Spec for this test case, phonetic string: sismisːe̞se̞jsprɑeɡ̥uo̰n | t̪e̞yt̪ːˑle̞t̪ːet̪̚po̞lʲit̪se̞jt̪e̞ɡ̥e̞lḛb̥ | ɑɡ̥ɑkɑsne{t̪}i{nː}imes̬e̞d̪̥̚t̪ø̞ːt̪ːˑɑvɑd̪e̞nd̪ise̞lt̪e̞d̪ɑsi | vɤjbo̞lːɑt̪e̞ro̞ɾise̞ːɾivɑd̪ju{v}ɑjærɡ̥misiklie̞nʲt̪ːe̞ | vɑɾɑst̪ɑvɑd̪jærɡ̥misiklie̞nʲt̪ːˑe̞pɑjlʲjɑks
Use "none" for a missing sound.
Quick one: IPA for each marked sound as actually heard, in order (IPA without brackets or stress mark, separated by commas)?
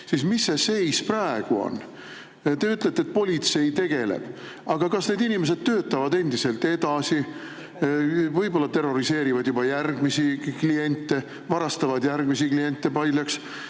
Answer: d̪, n, b